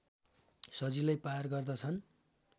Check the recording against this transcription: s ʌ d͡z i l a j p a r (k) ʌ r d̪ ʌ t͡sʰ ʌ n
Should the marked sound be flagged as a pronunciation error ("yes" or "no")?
yes